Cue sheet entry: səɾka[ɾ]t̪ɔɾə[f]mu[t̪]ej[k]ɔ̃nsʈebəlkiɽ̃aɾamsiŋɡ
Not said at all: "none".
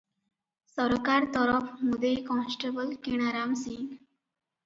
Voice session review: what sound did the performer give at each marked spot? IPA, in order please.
ɾ, f, d̪, k

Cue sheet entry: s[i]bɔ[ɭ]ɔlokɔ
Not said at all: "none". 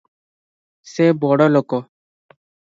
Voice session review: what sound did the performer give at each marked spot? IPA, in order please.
e, ɽ

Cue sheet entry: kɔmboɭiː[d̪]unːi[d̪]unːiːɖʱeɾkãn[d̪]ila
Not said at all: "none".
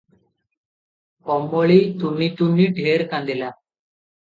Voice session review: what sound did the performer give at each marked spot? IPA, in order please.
t̪, t̪, d̪

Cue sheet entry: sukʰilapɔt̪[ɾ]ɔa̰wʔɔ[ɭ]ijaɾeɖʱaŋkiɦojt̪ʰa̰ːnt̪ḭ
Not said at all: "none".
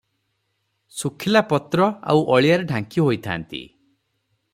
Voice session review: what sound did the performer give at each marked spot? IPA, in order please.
ɾ, ɭ

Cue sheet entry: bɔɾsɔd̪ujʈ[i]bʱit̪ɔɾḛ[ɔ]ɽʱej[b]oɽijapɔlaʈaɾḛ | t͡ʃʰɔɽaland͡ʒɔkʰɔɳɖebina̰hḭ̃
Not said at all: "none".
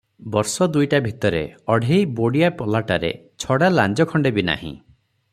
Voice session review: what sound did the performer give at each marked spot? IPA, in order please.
a, ɔ, b

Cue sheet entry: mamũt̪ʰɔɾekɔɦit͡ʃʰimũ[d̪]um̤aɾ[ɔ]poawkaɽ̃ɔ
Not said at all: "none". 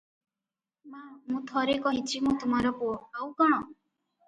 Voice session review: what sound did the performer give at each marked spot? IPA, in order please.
t̪, ɔ

